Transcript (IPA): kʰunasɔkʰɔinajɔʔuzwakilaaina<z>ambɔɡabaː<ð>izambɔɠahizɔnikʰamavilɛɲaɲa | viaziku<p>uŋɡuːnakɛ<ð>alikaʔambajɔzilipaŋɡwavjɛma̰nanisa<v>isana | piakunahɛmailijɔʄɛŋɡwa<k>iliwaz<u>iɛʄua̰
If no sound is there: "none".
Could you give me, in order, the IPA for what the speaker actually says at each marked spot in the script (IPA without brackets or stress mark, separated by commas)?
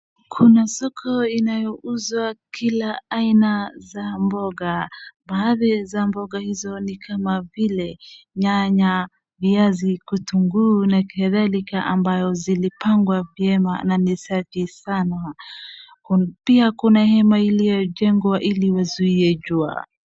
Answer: z, ð, t, ð, f, ʔ, u